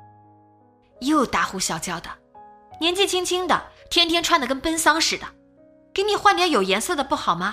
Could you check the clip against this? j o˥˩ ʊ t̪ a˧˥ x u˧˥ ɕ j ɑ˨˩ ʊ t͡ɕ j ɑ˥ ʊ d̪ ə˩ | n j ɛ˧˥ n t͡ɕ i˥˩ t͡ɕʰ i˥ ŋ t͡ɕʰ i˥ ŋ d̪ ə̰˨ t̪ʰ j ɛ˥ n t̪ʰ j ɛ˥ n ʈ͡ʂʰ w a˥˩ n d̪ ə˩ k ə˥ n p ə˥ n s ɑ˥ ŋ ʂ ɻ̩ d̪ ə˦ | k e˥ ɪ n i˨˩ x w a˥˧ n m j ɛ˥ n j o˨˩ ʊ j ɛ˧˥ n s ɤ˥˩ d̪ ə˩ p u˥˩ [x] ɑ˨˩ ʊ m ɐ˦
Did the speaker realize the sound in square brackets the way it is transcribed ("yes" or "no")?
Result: yes